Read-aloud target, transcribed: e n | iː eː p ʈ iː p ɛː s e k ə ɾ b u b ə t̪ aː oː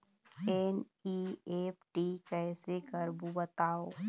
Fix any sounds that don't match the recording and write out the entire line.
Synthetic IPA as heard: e n | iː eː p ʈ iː k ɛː s e k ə ɾ b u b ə t̪ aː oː